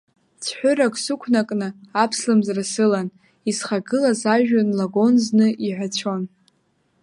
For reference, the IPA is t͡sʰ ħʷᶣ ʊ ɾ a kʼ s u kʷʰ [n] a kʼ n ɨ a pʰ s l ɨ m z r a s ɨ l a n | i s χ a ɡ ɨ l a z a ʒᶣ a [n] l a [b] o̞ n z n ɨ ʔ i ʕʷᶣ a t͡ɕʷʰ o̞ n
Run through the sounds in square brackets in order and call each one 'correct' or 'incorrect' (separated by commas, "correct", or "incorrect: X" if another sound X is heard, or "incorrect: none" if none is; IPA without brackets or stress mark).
correct, correct, incorrect: ɡ